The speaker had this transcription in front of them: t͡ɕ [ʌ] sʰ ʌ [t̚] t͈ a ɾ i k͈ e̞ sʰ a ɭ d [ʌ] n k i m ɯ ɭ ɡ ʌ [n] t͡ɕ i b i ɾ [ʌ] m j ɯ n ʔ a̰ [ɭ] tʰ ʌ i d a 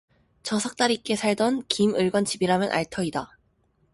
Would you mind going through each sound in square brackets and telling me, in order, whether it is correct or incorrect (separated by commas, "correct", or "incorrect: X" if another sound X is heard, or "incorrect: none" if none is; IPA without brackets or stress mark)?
correct, incorrect: k̚, correct, correct, incorrect: a, correct